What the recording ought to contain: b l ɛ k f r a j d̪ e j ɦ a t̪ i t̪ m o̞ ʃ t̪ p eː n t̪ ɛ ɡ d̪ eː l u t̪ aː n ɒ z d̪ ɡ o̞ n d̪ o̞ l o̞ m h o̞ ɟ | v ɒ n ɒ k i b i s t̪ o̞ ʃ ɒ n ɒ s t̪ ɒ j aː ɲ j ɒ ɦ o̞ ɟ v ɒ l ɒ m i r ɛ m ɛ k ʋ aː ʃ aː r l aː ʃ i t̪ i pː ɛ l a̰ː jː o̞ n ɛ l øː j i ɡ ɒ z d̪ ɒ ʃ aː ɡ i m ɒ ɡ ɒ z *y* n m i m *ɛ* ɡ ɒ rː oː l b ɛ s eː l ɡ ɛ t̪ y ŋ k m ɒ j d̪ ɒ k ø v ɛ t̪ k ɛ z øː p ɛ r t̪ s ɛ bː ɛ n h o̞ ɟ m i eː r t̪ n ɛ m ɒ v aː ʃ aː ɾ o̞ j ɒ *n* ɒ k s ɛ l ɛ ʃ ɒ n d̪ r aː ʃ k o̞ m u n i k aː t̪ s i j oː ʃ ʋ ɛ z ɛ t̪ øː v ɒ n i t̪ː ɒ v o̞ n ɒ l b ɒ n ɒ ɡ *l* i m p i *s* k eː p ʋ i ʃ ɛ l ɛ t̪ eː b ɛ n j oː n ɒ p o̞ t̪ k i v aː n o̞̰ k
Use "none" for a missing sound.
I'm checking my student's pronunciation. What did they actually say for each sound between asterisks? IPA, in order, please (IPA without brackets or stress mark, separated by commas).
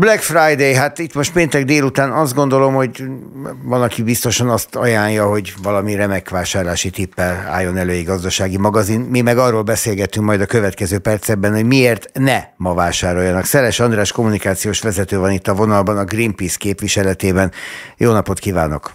i, ɛ, n, r, s